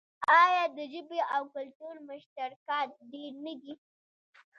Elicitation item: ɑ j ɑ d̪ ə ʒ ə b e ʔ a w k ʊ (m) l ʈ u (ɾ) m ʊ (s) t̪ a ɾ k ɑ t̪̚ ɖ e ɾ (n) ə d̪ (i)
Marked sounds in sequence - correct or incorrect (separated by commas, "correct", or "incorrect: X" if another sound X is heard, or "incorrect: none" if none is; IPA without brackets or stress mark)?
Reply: incorrect: none, correct, incorrect: ʃ, correct, correct